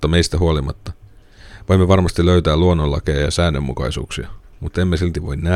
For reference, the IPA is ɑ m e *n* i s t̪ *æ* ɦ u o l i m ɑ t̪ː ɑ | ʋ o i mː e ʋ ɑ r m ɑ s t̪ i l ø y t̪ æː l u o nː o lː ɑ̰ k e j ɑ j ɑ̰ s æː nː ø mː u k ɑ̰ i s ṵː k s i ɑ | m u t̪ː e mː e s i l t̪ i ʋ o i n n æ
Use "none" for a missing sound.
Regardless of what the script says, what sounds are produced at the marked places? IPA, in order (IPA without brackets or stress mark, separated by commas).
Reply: none, æ